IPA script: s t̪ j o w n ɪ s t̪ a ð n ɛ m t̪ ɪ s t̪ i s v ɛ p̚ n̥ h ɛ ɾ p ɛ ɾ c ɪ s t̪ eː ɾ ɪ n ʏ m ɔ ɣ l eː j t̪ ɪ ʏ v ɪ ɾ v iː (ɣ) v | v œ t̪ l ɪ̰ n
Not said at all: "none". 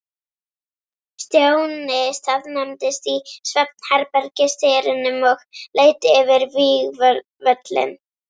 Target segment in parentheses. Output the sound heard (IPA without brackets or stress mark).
ɣ